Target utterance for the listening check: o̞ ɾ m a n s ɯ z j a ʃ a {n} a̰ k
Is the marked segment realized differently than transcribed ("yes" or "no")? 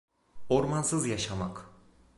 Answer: yes